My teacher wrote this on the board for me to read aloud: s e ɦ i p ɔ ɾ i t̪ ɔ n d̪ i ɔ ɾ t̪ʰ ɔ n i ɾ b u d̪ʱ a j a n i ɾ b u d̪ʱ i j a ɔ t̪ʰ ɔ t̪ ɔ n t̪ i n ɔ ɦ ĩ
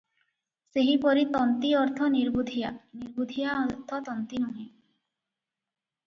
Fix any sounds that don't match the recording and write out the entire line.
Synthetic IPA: s e ɦ i p ɔ ɾ i t̪ ɔ n t̪ i ɔ ɾ t̪ʰ ɔ n i ɾ b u d̪ʱ i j a n i ɾ b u d̪ʱ i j a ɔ t̪ʰ ɔ t̪ ɔ n t̪ i n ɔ ɦ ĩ